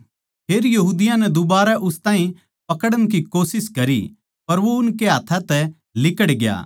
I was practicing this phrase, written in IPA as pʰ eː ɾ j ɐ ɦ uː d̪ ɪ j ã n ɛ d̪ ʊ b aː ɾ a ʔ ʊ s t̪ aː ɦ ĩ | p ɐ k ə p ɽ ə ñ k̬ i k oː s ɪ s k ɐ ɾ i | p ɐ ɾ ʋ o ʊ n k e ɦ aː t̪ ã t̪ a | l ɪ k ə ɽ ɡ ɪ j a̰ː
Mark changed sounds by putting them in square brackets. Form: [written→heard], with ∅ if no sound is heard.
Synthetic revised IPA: pʰ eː ɾ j ɐ ɦ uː d̪ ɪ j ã n ɛ d̪ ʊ b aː ɾ a ʔ ʊ s t̪ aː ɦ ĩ | p ɐ k ə [p→∅] ɽ ə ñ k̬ i k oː s ɪ s k ɐ ɾ i | p ɐ ɾ ʋ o ʊ n k e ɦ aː [t̪→t̪ʰ] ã t̪ [a→ɛ] | l ɪ k ə ɽ ɡ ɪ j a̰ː